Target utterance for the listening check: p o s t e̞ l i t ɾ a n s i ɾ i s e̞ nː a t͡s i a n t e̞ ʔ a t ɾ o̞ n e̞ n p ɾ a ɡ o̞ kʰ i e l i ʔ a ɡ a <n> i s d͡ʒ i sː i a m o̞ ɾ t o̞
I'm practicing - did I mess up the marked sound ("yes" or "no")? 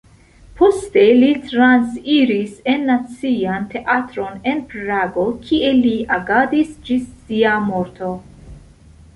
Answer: yes